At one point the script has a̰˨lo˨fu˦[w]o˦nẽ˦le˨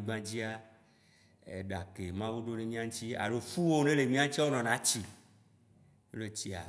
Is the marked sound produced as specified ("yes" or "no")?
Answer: yes